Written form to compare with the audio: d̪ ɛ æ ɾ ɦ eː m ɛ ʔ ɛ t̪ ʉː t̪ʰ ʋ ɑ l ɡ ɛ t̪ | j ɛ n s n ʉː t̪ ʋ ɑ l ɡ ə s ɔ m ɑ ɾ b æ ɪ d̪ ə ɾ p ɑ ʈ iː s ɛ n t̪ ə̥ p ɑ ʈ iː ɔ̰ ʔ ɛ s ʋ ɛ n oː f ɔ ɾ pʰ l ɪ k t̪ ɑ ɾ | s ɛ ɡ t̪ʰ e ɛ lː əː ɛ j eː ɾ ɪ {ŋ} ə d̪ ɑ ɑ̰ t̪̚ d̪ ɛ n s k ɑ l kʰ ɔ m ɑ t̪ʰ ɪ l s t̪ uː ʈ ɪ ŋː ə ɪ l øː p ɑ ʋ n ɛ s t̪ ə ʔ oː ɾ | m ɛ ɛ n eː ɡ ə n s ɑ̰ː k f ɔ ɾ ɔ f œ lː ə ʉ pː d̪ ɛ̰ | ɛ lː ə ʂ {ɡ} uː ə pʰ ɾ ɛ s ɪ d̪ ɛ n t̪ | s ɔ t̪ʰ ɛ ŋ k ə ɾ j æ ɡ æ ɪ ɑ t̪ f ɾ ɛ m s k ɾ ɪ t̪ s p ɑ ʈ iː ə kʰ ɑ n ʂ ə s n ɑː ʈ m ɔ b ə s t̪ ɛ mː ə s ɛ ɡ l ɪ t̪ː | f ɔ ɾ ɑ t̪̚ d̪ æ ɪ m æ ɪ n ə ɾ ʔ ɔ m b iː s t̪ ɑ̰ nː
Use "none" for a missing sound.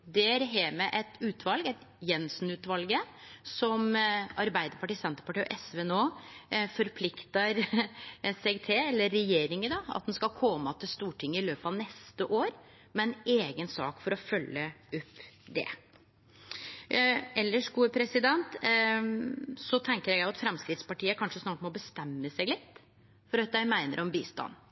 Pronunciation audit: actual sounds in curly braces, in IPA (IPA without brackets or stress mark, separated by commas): ŋ, ɡ